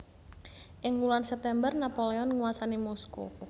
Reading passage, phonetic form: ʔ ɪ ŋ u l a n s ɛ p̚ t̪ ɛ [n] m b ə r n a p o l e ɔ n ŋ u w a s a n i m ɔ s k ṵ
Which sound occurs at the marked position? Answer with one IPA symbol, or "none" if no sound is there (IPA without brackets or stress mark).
none